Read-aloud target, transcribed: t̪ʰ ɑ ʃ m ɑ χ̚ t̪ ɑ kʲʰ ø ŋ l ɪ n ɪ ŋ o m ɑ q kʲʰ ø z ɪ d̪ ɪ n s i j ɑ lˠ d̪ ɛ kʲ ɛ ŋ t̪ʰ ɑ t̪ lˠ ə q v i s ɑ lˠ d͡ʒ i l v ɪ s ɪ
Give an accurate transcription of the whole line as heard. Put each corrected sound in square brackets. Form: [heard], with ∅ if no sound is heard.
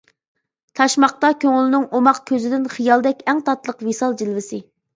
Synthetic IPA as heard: t̪ʰ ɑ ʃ m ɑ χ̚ t̪ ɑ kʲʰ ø ŋ l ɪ n ɪ ŋ o m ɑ q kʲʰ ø z ɪ d̪ ɪ n [χ] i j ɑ lˠ d̪ ɛ kʲ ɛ ŋ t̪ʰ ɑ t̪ lˠ ə q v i s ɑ lˠ d͡ʒ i l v ɪ s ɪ